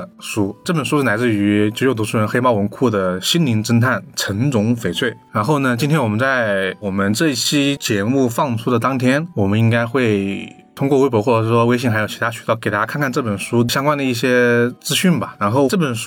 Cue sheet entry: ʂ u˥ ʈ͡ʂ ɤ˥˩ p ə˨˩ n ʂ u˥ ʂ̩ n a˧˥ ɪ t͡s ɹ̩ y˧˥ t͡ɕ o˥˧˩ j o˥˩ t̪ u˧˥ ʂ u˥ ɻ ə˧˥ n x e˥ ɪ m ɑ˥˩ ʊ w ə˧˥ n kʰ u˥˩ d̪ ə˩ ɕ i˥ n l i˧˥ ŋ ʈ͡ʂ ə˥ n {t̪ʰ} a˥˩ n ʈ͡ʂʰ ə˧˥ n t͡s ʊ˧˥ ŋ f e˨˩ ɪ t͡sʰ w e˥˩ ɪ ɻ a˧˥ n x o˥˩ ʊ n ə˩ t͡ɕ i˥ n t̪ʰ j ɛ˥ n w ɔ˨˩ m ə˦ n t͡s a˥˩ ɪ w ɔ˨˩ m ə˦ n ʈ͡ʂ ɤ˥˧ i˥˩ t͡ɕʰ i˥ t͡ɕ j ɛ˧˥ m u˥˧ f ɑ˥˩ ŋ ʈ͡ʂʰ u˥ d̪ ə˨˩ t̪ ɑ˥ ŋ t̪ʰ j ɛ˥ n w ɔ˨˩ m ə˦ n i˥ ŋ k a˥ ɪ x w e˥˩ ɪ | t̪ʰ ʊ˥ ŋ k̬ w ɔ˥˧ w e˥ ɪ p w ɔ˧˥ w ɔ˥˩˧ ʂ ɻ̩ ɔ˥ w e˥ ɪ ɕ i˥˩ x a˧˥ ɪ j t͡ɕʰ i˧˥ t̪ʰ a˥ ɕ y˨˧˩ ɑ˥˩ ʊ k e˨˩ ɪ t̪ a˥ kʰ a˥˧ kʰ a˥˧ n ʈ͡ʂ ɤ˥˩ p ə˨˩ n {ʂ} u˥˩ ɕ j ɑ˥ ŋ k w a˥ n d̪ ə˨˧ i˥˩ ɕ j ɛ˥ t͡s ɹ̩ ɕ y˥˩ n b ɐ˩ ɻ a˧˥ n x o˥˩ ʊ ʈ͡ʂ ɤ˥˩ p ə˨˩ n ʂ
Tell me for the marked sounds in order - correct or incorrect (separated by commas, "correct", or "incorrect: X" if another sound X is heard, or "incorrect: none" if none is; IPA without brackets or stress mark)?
correct, correct